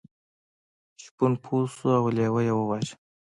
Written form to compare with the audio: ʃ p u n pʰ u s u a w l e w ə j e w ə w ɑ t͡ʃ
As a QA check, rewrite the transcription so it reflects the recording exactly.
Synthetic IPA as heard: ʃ p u n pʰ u s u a w l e w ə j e w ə w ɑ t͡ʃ